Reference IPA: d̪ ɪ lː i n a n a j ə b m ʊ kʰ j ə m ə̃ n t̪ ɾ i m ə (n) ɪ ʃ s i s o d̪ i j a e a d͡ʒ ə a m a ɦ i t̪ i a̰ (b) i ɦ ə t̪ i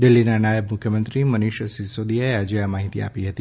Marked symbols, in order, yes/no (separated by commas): yes, no